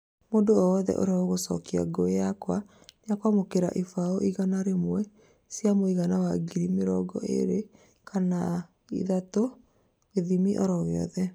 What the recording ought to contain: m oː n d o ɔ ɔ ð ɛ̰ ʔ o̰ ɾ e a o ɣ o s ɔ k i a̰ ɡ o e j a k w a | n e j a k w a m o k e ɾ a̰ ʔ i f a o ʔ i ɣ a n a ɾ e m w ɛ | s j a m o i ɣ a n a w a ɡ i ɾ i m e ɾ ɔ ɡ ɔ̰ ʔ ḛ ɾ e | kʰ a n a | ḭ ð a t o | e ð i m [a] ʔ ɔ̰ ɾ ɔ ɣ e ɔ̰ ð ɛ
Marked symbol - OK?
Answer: no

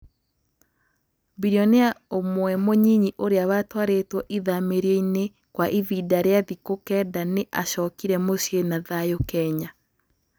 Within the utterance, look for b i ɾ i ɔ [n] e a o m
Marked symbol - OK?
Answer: yes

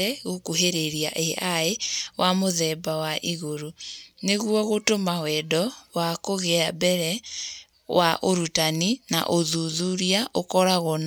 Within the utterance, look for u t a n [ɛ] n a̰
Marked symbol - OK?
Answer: no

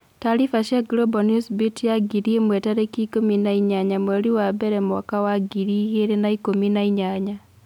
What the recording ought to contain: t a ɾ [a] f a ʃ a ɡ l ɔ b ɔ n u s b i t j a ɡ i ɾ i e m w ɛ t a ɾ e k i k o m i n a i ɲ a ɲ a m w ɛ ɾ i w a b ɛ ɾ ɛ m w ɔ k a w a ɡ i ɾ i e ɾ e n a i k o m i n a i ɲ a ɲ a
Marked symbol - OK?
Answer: no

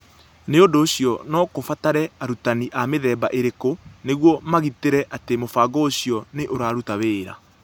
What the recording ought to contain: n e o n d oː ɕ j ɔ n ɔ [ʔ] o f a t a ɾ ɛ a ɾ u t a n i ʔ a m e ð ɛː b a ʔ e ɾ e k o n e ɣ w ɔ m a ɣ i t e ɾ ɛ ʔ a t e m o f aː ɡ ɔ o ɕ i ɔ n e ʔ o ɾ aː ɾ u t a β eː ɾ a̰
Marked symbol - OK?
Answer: no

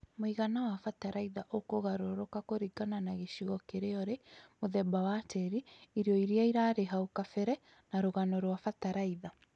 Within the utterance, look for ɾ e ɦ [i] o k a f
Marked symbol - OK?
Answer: no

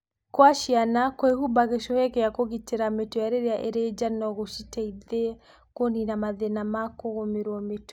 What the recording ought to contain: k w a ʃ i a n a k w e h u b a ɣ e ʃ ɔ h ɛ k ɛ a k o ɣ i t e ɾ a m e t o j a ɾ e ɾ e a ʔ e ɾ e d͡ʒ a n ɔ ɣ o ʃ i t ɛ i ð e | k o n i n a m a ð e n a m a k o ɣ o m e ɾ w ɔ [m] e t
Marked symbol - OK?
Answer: yes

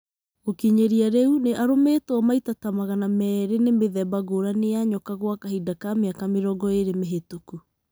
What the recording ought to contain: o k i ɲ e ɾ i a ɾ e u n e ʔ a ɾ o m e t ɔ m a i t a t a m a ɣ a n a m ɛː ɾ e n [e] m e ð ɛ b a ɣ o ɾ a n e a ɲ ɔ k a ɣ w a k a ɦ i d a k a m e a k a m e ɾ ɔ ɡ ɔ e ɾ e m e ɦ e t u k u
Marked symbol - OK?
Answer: yes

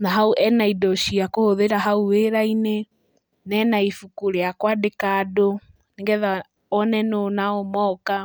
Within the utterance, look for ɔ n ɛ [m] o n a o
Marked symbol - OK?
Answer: no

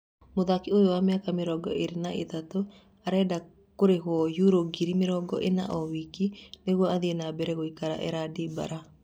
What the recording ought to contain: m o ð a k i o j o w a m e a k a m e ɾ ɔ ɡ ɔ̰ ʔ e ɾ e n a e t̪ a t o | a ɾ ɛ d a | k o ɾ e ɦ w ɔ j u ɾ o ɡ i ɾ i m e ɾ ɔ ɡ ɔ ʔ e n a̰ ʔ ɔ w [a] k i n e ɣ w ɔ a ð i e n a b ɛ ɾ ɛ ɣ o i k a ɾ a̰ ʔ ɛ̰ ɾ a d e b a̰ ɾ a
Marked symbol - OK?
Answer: no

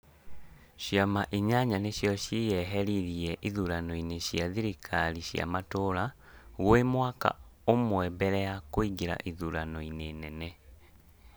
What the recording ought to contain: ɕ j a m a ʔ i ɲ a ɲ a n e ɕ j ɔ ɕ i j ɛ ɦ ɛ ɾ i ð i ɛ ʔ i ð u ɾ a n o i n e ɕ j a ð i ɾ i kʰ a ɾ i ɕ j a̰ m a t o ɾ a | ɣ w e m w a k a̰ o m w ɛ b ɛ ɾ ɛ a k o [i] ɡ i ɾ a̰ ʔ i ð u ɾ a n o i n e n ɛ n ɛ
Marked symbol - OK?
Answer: yes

